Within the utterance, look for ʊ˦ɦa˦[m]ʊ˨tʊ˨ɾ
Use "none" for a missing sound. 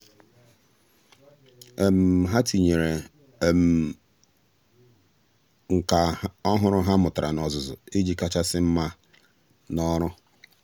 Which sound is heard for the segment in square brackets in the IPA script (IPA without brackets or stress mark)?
m